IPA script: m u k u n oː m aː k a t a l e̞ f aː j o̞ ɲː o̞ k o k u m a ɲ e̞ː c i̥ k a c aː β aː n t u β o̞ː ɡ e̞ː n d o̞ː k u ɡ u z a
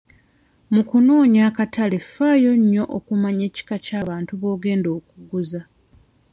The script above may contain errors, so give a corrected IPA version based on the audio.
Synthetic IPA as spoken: m u k u n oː ɲ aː k a t a l e̞ f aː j o̞ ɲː o̞ ʔ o k u m a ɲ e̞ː c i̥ k a c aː β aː n t u β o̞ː ɡ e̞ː n d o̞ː k u ɡ u z a